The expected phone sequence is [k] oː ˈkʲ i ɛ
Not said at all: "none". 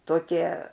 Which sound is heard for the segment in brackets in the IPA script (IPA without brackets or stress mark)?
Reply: t